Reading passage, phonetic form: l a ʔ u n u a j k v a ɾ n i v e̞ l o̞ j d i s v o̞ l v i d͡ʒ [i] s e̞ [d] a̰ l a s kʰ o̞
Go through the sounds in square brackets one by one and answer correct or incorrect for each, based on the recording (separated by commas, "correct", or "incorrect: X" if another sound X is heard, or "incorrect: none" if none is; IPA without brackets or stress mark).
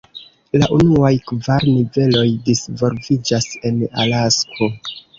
incorrect: a, incorrect: n